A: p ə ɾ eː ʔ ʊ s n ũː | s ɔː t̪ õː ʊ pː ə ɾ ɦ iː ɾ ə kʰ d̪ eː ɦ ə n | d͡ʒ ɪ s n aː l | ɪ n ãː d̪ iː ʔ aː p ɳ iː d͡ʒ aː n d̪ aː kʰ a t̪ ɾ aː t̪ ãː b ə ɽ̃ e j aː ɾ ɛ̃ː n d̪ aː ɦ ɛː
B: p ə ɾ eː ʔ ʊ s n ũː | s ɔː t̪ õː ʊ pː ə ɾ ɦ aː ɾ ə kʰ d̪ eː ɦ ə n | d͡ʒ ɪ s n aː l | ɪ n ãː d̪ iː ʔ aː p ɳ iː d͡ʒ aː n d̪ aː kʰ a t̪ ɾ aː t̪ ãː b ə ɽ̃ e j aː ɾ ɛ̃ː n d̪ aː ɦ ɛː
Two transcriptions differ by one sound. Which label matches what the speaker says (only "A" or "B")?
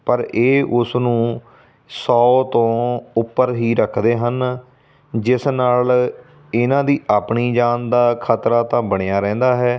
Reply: A